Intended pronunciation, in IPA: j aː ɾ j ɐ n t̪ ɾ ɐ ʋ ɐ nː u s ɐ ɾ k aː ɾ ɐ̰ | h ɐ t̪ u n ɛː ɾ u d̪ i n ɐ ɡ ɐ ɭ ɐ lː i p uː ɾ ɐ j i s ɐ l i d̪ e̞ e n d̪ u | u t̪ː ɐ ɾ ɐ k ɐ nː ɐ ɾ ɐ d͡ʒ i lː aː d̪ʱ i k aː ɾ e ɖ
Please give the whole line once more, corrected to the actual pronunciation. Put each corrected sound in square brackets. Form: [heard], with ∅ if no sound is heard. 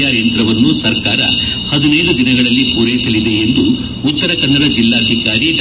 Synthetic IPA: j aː ɾ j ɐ n t̪ ɾ ɐ ʋ ɐ nː u s ɐ ɾ k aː ɾ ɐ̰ | h ɐ [d̪] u n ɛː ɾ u d̪ i n ɐ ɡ ɐ ɭ ɐ lː i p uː ɾ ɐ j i s ɐ l i d̪ e̞ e n d̪ u | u t̪ː ɐ ɾ ɐ k ɐ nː ɐ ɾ ɐ d͡ʒ i lː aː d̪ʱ i k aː ɾ [i] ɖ

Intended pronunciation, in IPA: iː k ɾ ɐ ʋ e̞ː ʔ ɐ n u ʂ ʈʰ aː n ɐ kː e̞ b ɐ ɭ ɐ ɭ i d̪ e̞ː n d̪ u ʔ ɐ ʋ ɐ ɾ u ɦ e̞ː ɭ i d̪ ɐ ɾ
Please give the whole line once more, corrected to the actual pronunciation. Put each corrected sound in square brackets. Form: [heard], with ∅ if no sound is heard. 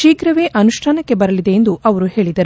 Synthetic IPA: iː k ɾ ɐ ʋ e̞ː ʔ ɐ n u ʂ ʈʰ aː n ɐ kː e̞ b ɐ [ɾ] ɐ [l] i d̪ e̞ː n d̪ u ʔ ɐ ʋ ɐ ɾ u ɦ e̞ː ɭ i d̪ ɐ ɾ

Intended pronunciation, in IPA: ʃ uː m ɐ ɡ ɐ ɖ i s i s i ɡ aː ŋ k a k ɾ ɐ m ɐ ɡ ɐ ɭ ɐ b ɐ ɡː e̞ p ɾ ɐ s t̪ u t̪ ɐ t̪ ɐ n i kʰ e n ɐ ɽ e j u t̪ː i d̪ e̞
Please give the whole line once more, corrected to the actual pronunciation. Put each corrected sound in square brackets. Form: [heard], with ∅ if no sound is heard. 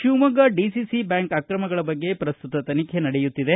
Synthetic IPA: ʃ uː m ɐ ɡ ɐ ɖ i s i s i [b] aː ŋ k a k ɾ ɐ m ɐ ɡ ɐ ɭ ɐ b ɐ ɡː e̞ p ɾ ɐ s t̪ u t̪ ɐ t̪ ɐ n i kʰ e n ɐ ɽ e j u t̪ː i d̪ e̞

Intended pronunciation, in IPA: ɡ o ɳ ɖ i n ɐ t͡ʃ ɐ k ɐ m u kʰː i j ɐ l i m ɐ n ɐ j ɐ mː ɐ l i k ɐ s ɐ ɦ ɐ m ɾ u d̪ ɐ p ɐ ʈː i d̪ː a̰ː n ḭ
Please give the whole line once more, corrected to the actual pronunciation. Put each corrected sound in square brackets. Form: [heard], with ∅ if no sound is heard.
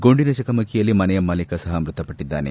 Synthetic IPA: ɡ o ɳ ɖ i n ɐ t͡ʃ ɐ k ɐ m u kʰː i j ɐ l i m ɐ n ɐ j ɐ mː ɐ l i k ɐ s ɐ ɦ ɐ m ɾ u [t̪] ɐ p ɐ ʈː i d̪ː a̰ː n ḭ

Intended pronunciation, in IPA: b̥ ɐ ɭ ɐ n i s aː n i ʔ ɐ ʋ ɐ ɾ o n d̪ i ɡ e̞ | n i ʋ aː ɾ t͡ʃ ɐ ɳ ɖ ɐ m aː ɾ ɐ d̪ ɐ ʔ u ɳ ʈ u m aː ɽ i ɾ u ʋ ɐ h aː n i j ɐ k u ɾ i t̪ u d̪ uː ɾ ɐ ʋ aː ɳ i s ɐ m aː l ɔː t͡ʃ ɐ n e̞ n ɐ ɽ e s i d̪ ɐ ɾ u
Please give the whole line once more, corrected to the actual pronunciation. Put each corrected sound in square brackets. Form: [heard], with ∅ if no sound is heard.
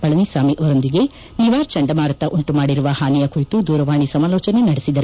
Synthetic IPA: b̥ ɐ ɭ ɐ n i s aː [m] i ʔ ɐ ʋ ɐ ɾ o n d̪ i ɡ e̞ | n i ʋ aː ɾ t͡ʃ ɐ ɳ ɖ ɐ m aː ɾ ɐ [t̪] ɐ ʔ u ɳ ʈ u m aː ɽ i ɾ u ʋ ɐ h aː n i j ɐ k u ɾ i t̪ u d̪ uː ɾ ɐ ʋ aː ɳ i s ɐ m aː l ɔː t͡ʃ ɐ n e̞ n ɐ ɽ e s i d̪ ɐ ɾ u

